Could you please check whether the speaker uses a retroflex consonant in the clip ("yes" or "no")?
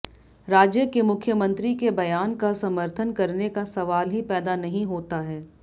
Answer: no